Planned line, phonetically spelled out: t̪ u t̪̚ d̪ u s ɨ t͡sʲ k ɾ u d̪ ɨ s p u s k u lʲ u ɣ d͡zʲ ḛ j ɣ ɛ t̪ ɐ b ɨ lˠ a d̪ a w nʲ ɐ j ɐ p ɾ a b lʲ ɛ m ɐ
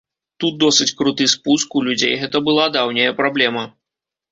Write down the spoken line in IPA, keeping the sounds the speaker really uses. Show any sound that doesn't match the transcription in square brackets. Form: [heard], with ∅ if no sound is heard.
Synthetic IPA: t̪ u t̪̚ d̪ [ɔ] s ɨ t͡sʲ k ɾ u [t̪] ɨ s p u s k u lʲ u [∅] d͡zʲ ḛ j ɣ ɛ t̪ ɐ b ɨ lˠ a d̪ a w nʲ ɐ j ɐ p ɾ a b lʲ ɛ m ɐ